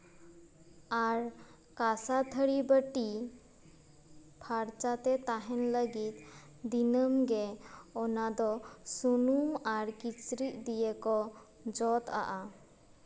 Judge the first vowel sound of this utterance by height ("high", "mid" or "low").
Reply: low